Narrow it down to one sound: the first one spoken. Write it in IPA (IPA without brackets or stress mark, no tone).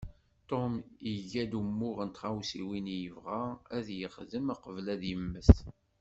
t̪